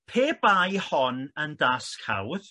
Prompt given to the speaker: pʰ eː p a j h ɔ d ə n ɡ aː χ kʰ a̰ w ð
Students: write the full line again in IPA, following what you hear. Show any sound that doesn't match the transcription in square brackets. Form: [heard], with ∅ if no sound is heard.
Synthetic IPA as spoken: pʰ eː [b] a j h ɔ [n] ə n [d] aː [s] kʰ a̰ w ð